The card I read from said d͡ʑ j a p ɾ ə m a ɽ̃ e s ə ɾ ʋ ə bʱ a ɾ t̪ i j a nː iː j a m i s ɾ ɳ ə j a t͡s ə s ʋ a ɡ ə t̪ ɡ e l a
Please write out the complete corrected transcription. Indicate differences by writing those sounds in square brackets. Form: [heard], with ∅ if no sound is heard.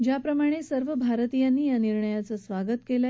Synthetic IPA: d͡ʑ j a p ɾ ə m a ɽ̃ e s ə ɾ ʋ ə bʱ a ɾ t̪ i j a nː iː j a [n] i [∅] ɾ ɳ ə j a t͡s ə s ʋ a ɡ ə t̪ [k] e l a